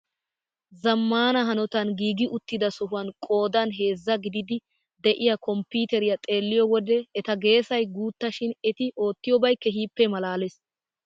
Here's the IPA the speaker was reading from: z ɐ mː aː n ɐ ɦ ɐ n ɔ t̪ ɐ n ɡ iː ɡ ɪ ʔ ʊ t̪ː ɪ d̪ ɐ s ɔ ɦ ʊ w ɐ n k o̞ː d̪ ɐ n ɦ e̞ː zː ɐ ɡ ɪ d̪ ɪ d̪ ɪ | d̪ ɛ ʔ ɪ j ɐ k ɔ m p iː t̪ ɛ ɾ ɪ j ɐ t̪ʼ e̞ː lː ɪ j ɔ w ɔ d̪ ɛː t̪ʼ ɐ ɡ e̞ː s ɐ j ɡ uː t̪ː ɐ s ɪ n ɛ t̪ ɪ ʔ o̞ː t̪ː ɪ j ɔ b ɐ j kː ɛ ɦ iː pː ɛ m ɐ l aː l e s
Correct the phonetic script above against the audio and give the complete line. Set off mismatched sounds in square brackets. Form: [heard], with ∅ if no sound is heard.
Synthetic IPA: z ɐ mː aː n ɐ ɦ ɐ n ɔ t̪ ɐ n ɡ iː ɡ ɪ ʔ ʊ t̪ː ɪ d̪ ɐ s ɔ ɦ ʊ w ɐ n [kʼ] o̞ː d̪ ɐ n ɦ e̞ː zː ɐ ɡ ɪ d̪ ɪ d̪ ɪ | d̪ ɛ ʔ ɪ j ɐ k ɔ m p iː t̪ ɛ ɾ ɪ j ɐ t̪ʼ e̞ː lː ɪ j ɔ w ɔ d̪ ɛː [t̪] ɐ ɡ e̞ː s ɐ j ɡ uː t̪ː ɐ [ʃ] ɪ n ɛ t̪ ɪ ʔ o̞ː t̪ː ɪ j ɔ b ɐ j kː ɛ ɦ iː pː ɛ m ɐ l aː l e s